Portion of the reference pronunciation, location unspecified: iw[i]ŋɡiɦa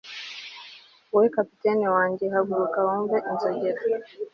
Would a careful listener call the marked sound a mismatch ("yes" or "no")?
yes